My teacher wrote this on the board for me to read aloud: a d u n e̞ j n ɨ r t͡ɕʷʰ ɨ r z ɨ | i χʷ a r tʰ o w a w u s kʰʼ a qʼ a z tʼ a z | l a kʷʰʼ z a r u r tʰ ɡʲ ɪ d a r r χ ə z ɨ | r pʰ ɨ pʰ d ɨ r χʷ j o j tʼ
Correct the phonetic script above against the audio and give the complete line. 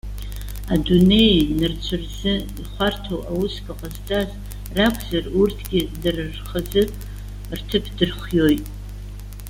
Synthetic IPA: a d u n e̞ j n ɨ r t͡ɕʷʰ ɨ r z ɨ | i χʷ a r tʰ o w a w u s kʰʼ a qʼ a z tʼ a z | r a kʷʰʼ z a r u r tʰ ɡʲ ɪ d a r r χ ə z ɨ | r tʰ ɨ pʰ d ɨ r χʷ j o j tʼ